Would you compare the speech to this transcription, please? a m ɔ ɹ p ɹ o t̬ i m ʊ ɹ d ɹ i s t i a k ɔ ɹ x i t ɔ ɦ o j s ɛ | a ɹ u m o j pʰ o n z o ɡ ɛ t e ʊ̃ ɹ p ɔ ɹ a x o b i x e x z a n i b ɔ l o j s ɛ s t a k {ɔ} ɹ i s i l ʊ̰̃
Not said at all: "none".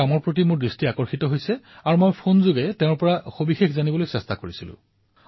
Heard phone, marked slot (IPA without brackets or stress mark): o